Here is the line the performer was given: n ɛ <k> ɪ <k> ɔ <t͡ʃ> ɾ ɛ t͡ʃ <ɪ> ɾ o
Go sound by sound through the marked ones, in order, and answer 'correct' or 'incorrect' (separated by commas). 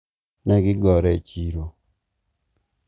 incorrect, incorrect, incorrect, incorrect